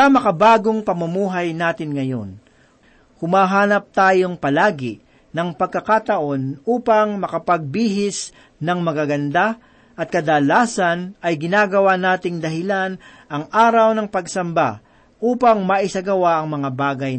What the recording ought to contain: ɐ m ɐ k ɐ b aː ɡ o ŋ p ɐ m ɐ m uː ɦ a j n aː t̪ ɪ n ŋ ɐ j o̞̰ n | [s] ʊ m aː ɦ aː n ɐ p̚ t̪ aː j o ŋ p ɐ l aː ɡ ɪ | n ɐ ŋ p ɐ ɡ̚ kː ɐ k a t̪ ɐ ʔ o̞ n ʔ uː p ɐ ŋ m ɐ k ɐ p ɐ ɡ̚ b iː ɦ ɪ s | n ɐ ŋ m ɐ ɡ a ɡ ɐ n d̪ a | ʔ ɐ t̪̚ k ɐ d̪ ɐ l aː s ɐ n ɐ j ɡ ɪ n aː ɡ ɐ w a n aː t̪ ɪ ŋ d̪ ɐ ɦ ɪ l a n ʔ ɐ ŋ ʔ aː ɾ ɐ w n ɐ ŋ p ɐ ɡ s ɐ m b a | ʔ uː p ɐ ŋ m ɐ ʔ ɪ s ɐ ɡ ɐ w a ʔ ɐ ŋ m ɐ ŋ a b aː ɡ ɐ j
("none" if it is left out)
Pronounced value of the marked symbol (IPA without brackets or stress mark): h